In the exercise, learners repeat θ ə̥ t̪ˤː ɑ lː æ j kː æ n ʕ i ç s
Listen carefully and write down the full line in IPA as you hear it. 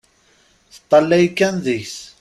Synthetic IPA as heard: θ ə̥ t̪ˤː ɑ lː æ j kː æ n ð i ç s